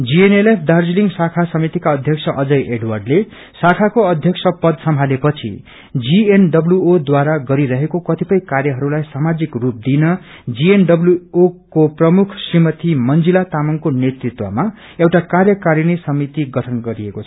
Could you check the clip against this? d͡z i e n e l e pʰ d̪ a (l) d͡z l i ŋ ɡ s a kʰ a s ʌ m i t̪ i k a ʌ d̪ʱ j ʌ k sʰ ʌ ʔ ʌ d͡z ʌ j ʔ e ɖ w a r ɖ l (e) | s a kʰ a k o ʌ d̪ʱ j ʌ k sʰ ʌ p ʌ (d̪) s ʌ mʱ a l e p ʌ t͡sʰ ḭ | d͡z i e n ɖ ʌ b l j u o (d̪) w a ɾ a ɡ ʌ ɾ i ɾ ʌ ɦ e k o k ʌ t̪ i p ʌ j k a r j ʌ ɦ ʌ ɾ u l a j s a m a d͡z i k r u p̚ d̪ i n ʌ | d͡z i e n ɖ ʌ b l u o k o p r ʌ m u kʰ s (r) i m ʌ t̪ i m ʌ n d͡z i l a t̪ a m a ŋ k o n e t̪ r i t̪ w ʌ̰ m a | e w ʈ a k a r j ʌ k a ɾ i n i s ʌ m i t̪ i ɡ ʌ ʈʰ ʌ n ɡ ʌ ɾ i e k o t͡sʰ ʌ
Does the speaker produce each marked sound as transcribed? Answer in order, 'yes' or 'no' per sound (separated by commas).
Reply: no, yes, yes, yes, yes